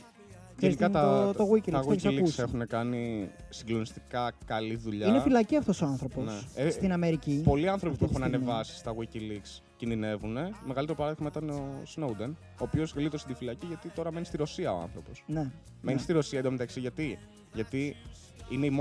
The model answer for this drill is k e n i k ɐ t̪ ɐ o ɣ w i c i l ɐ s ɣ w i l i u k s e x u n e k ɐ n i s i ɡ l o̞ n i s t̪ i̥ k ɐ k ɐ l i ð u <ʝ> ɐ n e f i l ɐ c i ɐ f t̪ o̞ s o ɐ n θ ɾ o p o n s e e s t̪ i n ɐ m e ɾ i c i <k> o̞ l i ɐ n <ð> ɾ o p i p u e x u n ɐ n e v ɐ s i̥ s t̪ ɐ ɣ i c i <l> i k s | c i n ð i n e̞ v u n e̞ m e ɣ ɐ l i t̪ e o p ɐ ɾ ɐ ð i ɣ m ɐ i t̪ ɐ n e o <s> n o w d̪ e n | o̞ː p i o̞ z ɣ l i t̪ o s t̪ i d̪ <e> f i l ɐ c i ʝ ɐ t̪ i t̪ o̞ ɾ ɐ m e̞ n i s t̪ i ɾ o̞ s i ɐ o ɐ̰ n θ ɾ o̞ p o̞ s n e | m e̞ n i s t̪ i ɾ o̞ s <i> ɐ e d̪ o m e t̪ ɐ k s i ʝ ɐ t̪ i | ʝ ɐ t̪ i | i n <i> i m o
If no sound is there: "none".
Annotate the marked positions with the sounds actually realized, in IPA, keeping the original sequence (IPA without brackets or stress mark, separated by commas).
ʎ, p, θ, l, s, i, i, e